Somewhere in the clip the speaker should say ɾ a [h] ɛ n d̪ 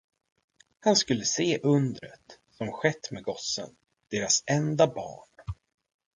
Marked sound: incorrect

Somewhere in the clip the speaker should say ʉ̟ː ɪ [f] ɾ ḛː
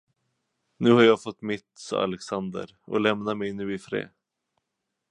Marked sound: correct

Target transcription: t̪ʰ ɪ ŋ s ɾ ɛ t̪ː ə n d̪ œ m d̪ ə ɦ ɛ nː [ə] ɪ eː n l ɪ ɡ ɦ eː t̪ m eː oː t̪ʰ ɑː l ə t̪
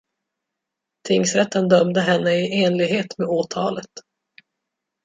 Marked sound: correct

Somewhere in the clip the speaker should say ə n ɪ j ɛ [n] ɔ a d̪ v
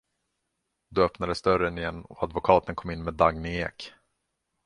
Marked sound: incorrect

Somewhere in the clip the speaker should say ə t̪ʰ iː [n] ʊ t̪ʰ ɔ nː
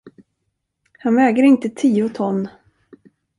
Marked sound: incorrect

